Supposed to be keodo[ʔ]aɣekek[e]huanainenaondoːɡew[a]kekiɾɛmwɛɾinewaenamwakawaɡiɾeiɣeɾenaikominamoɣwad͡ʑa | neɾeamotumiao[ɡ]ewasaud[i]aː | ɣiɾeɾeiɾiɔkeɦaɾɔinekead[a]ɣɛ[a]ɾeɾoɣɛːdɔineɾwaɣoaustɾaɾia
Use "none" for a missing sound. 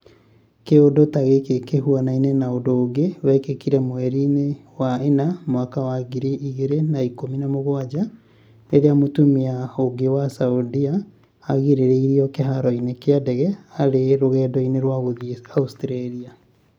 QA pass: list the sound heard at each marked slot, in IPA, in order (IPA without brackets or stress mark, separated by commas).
t, e, ɛ, ɡ, i, ɛ, a